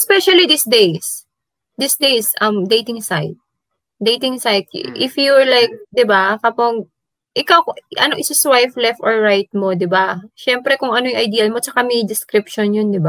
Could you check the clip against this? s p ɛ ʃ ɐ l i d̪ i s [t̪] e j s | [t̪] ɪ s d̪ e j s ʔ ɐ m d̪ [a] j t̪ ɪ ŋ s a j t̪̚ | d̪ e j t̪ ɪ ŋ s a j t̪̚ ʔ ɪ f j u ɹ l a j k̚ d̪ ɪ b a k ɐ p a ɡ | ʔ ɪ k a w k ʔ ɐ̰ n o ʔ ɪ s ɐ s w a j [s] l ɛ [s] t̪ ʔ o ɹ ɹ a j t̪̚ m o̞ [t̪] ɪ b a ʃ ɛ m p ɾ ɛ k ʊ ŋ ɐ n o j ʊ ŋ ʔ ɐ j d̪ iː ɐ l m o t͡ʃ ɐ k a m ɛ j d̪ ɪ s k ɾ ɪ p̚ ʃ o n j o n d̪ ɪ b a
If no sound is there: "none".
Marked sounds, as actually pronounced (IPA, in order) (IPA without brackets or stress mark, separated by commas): d̪, d̪, e, f, f, d̪